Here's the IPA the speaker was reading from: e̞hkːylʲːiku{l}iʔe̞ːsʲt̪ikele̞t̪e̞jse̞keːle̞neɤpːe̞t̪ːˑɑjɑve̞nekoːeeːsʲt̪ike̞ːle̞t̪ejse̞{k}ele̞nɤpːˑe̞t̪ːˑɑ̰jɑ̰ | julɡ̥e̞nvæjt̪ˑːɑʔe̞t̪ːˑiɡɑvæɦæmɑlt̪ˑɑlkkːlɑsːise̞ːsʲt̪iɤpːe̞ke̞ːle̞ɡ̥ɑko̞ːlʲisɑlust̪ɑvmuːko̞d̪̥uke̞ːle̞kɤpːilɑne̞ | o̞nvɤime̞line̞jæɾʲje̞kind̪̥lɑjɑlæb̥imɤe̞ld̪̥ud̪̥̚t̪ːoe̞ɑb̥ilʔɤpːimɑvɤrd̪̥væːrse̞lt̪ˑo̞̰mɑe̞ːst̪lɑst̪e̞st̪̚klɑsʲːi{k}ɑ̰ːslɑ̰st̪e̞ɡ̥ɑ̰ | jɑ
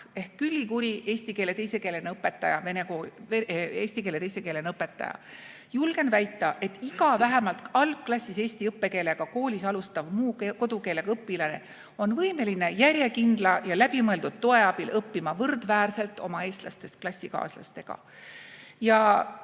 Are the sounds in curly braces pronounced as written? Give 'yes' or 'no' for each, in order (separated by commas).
no, yes, yes